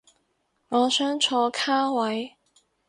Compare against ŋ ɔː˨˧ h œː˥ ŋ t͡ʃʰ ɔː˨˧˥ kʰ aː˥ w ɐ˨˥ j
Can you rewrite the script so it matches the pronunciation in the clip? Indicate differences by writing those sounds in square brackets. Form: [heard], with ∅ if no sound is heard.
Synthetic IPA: ŋ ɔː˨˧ [s] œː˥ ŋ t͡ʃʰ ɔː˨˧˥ kʰ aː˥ w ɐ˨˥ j